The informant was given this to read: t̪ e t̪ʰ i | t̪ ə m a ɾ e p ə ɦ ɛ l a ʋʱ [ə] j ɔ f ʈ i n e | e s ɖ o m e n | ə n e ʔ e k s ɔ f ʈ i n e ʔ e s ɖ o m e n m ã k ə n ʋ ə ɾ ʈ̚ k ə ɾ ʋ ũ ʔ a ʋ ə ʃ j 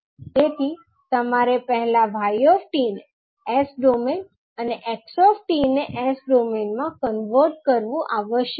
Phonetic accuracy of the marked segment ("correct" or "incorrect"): incorrect